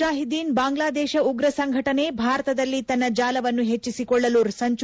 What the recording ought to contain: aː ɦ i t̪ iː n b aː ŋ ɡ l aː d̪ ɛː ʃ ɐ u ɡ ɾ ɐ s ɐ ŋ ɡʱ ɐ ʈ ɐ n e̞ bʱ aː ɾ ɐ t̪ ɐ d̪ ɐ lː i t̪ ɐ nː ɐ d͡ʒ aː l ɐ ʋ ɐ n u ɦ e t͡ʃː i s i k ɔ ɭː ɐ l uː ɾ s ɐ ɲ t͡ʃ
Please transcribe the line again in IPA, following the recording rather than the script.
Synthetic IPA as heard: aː ɦ i d̪ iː n b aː ŋ ɡ l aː d̪ ɛː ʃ ɐ u ɡ ɾ ɐ s ɐ ŋ ɡʱ ɐ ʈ ɐ n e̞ bʱ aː ɾ ɐ t̪ ɐ d̪ ɐ lː i t̪ ɐ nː ɐ d͡ʒ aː l ɐ ʋ ɐ nː u ɦ e t͡ʃː i s i k ɔ ɭː ɐ l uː ɾ s ɐ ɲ t͡ʃ

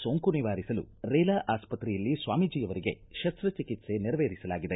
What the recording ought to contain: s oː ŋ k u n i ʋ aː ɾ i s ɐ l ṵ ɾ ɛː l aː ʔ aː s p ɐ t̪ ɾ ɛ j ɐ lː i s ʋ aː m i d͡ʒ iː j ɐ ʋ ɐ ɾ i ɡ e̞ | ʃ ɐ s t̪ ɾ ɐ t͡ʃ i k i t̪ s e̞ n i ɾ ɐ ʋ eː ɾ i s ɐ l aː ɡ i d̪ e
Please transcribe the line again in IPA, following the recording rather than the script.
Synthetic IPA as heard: s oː ŋ k u n i ʋ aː ɾ i s ɐ l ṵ ɾ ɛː l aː ʔ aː s p ɐ t̪ ɾ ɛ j ɐ lː i s ʋ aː m i d͡ʒ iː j ɐ ʋ ɐ ɾ i ɡ e̞ | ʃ ɐ s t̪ ɾ ɐ t͡ʃ i k i t̪ s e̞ n i ɾ ɐ ʋ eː ɾ i s ɐ l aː ɡ i d̪ e

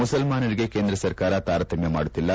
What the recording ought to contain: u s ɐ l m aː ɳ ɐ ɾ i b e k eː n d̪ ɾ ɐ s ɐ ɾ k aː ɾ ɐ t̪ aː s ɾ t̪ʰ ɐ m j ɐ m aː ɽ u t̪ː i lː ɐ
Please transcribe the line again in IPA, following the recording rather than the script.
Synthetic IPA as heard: u s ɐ l m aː n ɐ ɾ i ɡ e k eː n d̪ ɾ ɐ s ɐ ɾ k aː ɾ ɐ t̪ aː ɾ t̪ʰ ɐ m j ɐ m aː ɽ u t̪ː i lː ɐ

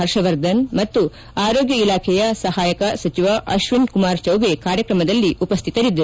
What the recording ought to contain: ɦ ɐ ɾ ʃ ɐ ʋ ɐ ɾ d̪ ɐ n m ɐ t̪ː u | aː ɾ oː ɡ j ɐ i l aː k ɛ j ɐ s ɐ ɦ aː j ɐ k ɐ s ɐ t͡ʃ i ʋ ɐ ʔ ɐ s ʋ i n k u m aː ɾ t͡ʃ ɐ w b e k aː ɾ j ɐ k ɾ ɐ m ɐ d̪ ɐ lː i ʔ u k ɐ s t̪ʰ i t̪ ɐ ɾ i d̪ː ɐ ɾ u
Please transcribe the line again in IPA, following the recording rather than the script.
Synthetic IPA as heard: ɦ ɐ ɾ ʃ ɐ ʋ ɐ ɾ d̪ ɐ n m ɐ t̪ː u | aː ɾ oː ɡ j ɐ i l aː kʰ ɛ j ɐ s ɐ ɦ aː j ɐ k ɐ s ɐ t͡ʃ i ʋ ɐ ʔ ɐ ʃ ʋ i n k u m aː ɾ t͡ʃ ɐ w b e k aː ɾ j ɐ k ɾ ɐ m ɐ d̪ ɐ lː i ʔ u p ɐ s t̪ʰ i t̪ ɐ ɾ i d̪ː ɐ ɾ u

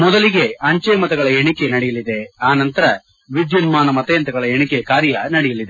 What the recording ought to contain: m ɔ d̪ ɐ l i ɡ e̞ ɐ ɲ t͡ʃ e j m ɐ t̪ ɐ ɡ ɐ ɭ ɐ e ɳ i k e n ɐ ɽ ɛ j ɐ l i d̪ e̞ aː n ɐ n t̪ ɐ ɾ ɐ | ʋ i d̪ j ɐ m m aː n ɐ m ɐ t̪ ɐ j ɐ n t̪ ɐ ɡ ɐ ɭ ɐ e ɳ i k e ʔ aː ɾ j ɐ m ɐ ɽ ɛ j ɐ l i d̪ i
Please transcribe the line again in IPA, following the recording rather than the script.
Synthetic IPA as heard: m ɔ d̪ ɐ l i ɡ e̞ ɐ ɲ t͡ʃ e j m ɐ t̪ ɐ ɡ ɐ ɭ ɐ e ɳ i k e n ɐ ɽ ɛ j ɐ l i d̪ e̞ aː n ɐ n t̪ ɐ ɾ ɐ | ʋ i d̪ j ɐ n m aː n ɐ m ɐ t̪ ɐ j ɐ n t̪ ɐ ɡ ɐ ɭ ɐ e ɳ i k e k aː ɾ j ɐ n ɐ ɽ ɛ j ɐ l i d̪ e

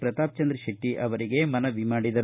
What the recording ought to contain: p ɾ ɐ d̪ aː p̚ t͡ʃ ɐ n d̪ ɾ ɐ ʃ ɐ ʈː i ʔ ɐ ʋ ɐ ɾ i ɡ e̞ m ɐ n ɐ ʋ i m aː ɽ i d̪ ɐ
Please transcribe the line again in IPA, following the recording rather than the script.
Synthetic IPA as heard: p ɾ ɐ t̪ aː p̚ t͡ʃ ɐ n d̪ ɾ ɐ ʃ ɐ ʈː i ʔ ɐ ʋ ɐ ɾ i ɡ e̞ m ɐ n ɐ ʋ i m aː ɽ i d̪ ɐ

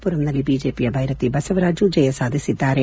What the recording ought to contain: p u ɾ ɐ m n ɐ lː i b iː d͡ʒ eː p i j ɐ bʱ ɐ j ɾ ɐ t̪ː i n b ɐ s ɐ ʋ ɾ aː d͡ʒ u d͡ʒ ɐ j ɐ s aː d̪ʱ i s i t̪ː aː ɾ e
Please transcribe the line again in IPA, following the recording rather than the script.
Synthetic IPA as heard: p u ɾ ɐ m n ɐ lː i b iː d͡ʒ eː p i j ɐ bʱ ɐ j ɾ ɐ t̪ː i b ɐ s ɐ ʋ ɾ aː d͡ʒ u d͡ʒ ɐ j ɐ s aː d̪ʱ i s i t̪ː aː ɾ e

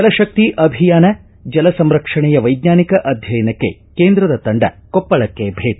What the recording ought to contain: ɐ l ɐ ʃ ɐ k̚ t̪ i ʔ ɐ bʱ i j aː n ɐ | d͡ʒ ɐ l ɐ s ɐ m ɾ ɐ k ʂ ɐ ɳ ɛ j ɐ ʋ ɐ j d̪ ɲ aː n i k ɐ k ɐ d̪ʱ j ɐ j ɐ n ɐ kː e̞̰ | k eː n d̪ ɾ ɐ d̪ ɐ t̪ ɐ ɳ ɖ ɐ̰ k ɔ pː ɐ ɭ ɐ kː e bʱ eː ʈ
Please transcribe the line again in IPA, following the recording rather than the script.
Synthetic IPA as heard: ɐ l ɐ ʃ ɐ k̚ t̪ i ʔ ɐ bʱ i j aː n ɐ | d͡ʒ ɐ l ɐ s ɐ m ɾ ɐ k ʂ ɐ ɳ ɛ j ɐ ʋ ɐ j d̪ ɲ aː n i k ɐ ʔ ɐ d̪ʱ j ɐ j ɐ n ɐ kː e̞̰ | k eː n d̪ ɾ ɐ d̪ ɐ t̪ ɐ ɳ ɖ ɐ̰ k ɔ pː ɐ ɭ ɐ kː e bʱ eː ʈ

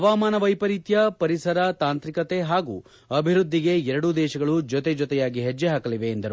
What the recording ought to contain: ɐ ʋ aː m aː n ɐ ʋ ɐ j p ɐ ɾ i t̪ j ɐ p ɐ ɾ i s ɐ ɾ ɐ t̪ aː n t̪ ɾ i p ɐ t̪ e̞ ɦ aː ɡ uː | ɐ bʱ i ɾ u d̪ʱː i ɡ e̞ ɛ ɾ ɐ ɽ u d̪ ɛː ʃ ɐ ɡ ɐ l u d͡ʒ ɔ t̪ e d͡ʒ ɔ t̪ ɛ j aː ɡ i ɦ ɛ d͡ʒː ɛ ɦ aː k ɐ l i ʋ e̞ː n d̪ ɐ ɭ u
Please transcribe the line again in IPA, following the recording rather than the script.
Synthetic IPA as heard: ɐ ʋ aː m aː n ɐ ʋ ɐ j p ɐ ɾ i t̪ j ɐ p ɐ ɾ i s ɐ ɾ ɐ t̪ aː n t̪ ɾ i k ɐ t̪ e̞ ɦ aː ɡ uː | ɐ bʱ i ɾ u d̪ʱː i ɡ e̞ ɛ ɾ ɐ ɽ u d̪ ɛː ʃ ɐ ɡ ɐ ɭ u d͡ʒ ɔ t̪ e d͡ʒ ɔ t̪ ɛ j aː ɡ i ɦ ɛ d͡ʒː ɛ ɦ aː k ɐ l i ʋ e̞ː n d̪ ɐ ɾ u

